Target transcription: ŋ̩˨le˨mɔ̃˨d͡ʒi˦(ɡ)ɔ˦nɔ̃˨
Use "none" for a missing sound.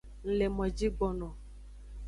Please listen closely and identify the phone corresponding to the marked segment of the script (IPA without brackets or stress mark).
ɡ͡b